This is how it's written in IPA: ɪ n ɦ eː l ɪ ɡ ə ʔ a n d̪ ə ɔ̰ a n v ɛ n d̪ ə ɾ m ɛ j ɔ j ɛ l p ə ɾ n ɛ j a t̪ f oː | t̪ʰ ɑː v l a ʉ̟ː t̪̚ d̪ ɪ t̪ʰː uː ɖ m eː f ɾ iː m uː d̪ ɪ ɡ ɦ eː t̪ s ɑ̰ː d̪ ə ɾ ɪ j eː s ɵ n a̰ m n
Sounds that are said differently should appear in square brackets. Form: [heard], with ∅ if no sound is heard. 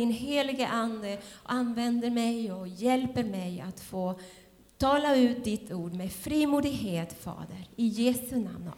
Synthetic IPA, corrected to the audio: ɪ n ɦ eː l ɪ ɡ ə ʔ a n d̪ ə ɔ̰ a n v ɛ n d̪ ə ɾ m ɛ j ɔ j ɛ l p ə ɾ [m] ɛ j a t̪ f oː | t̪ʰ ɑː [∅] l a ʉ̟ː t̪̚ d̪ ɪ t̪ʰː uː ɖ m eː f ɾ iː m uː d̪ ɪ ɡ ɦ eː t̪ [f] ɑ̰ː d̪ ə ɾ ɪ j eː s ɵ n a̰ m n